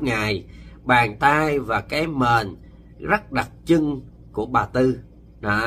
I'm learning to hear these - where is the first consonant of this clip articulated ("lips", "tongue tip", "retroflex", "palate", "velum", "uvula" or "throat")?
velum